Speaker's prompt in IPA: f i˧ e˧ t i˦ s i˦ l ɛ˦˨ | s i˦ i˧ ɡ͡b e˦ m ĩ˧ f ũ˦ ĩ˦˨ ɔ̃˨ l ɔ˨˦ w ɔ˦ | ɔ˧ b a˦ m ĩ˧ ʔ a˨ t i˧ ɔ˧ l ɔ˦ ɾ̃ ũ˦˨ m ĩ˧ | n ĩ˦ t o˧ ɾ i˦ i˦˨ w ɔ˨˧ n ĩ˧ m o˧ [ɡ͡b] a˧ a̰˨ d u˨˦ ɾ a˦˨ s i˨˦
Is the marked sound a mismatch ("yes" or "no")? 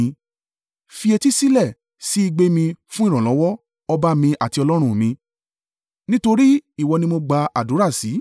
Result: no